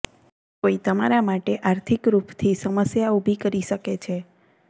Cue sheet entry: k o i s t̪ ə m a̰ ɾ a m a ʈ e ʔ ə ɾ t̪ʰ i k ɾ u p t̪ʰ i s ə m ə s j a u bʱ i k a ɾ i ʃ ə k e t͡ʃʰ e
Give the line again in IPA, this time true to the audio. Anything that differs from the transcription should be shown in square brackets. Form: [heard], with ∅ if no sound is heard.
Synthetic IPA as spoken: k o i [∅] t̪ ə m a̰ ɾ a m a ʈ e ʔ [a] ɾ t̪ʰ i k ɾ u p t̪ʰ i s ə m ə s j a u bʱ i k [ə] ɾ i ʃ ə k e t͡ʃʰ e